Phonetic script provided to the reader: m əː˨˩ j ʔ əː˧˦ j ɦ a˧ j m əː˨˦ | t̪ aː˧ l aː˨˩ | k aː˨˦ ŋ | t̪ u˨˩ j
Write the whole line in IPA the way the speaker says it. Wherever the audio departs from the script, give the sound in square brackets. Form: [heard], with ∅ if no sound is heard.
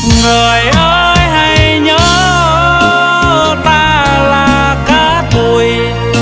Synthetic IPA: [ŋ] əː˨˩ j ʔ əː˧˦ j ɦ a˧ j [ɲ] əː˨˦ | t̪ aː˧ l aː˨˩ | k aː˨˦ [∅] | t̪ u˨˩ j